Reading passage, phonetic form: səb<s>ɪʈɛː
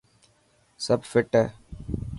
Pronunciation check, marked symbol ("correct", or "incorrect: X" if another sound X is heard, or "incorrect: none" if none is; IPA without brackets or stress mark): incorrect: f